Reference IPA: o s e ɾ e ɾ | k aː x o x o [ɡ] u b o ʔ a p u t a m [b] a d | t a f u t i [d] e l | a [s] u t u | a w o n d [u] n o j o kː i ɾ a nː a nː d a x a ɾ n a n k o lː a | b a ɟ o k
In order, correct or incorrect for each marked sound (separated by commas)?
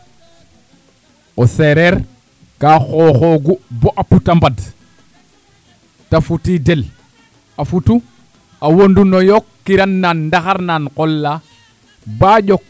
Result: correct, correct, correct, incorrect, correct